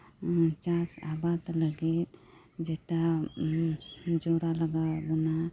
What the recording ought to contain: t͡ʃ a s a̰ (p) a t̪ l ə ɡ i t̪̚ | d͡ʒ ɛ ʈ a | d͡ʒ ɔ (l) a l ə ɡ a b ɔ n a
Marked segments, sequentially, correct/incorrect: incorrect: b, incorrect: ɾ

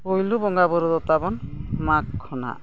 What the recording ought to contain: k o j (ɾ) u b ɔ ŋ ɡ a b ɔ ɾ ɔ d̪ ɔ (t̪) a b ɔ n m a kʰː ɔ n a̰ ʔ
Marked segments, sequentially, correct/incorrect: incorrect: l, correct

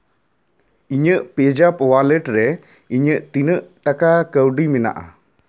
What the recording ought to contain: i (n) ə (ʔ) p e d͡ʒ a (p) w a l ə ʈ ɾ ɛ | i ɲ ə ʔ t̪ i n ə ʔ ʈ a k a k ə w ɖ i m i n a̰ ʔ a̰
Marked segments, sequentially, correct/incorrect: incorrect: ɲ, correct, correct

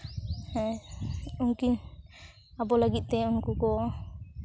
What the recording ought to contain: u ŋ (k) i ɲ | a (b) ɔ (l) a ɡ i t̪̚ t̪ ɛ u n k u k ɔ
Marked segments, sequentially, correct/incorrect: correct, correct, correct

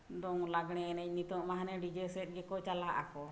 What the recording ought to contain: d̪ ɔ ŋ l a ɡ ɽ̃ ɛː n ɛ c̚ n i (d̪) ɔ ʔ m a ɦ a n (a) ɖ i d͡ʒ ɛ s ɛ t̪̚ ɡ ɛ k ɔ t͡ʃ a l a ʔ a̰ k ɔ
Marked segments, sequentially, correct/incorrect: incorrect: t̪, incorrect: ɛ

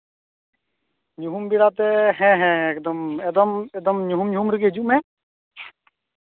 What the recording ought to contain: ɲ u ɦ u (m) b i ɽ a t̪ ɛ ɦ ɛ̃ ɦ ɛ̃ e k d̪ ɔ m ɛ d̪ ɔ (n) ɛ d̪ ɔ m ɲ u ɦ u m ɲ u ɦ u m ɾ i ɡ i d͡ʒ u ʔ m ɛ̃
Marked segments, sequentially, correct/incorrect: correct, incorrect: m

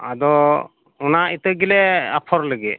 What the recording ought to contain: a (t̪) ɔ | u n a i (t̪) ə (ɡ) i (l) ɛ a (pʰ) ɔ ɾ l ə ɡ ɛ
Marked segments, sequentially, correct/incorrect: incorrect: d̪, correct, correct, correct, correct

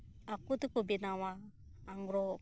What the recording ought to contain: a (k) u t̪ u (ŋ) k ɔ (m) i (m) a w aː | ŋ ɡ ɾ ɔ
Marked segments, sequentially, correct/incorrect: correct, incorrect: none, incorrect: b, incorrect: n

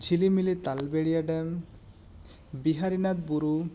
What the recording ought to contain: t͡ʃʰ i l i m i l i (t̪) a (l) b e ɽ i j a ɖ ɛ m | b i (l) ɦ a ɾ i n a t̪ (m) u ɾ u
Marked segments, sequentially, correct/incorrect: correct, correct, incorrect: none, incorrect: b

